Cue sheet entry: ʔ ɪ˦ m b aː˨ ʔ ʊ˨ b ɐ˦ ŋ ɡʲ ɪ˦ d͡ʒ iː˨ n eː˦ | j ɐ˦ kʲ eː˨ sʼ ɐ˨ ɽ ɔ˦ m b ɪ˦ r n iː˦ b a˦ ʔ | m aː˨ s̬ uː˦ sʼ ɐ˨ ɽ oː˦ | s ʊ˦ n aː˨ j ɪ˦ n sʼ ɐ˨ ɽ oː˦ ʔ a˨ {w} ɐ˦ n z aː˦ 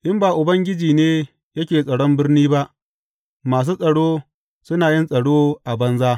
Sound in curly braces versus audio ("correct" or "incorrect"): incorrect